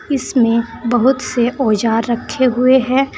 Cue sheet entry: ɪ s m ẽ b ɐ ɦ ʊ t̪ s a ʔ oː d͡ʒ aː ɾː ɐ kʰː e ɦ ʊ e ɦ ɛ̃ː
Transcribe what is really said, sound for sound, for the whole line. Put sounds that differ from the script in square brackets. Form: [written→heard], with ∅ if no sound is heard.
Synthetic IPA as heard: ɪ s m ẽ b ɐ ɦ ʊ t̪ s [a→e] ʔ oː d͡ʒ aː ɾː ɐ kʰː e ɦ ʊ e ɦ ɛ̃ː

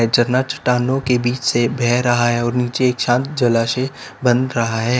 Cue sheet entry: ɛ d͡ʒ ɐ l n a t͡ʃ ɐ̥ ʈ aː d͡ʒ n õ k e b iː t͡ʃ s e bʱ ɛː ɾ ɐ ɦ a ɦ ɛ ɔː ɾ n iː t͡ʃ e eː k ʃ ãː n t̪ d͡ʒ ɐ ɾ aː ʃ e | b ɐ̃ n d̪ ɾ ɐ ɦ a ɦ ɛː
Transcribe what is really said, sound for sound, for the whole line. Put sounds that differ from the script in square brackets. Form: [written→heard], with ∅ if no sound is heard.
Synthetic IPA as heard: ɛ d͡ʒ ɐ [l→ɾ] n a t͡ʃ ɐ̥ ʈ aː [d͡ʒ→∅] n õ k e b iː t͡ʃ s e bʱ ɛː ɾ ɐ ɦ a ɦ ɛ ɔː ɾ n iː t͡ʃ e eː k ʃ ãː n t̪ d͡ʒ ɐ [ɾ→l] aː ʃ e | b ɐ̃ n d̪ ɾ ɐ ɦ a ɦ ɛː

